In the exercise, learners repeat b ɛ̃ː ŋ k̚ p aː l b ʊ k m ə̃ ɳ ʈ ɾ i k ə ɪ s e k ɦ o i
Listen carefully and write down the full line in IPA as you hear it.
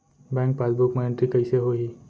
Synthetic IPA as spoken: b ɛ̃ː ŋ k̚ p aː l b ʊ k m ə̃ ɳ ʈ ɾ i k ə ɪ s e ɦ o i

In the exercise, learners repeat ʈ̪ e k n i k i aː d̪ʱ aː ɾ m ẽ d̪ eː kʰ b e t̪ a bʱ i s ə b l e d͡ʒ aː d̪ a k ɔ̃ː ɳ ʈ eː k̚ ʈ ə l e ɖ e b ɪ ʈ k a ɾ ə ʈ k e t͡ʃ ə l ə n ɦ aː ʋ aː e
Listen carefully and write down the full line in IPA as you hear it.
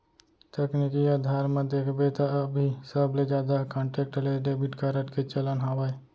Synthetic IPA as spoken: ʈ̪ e k n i k i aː d̪ʱ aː ɾ m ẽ d̪ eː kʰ b e t̪ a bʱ i s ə b l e d͡ʒ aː d̪ a k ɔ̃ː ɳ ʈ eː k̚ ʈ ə l e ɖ e b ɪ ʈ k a ɾ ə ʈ k e t͡ʃ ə l ə n ɦ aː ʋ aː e

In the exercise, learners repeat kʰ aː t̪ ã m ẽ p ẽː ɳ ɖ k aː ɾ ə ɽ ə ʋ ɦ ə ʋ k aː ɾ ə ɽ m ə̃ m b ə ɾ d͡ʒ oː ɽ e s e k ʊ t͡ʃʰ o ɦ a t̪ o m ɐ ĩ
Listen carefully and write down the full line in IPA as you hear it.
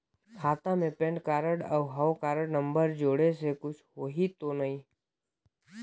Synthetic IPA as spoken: kʰ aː t̪ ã m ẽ p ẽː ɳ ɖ k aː ɾ ə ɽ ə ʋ ɦ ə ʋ k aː ɾ ə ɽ n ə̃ m b ə ɾ d͡ʒ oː ɽ e s e k ʊ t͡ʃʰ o ɦ i t̪ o n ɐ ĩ

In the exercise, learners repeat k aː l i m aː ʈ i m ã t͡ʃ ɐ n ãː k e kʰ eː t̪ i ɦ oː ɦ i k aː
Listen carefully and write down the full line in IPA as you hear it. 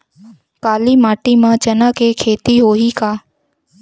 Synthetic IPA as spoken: k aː l i m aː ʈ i m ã t͡ʃ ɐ n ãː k e kʰ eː t̪ i ɦ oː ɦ i k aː

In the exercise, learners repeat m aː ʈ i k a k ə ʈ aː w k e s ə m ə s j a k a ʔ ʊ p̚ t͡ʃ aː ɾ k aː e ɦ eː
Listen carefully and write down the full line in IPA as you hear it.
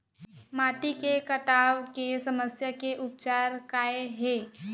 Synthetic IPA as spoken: m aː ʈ i k e k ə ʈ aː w k e s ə m ə s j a k e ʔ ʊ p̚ t͡ʃ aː ɾ k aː e ɦ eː

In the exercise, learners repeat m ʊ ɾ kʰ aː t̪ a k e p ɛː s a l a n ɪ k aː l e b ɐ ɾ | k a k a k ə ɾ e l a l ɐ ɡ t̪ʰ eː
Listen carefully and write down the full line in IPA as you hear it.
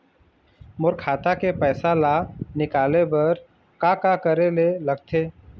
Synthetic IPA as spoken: m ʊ ɾ kʰ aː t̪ a k e p ɛː s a l a n ɪ k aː l e b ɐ ɾ | k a k a k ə ɾ e l e l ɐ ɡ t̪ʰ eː

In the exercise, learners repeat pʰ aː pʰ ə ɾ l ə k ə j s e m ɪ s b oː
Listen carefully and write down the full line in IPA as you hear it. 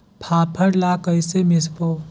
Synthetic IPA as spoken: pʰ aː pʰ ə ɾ l a k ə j s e m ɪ s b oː

